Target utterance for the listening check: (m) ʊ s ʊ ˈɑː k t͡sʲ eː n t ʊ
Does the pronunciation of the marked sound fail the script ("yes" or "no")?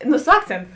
yes